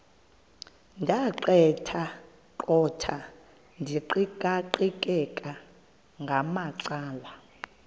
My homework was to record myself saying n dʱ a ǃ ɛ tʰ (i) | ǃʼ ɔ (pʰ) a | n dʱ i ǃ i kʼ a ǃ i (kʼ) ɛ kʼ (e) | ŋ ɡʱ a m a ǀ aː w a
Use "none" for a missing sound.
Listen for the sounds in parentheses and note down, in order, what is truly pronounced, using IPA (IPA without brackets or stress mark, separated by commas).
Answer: a, tʰ, kʼ, a